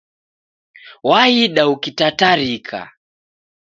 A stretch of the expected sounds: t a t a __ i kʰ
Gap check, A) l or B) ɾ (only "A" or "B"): B